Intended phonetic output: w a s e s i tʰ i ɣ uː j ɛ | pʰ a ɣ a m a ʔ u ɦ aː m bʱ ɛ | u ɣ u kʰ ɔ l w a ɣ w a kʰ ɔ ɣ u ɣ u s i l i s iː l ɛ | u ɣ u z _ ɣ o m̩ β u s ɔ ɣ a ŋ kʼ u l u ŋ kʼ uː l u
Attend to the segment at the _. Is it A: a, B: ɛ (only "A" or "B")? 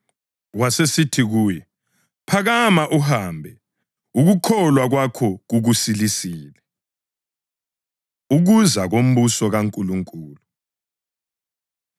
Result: A